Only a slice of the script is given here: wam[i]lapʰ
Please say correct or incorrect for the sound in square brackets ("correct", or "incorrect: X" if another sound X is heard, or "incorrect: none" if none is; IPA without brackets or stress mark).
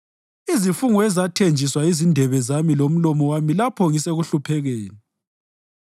correct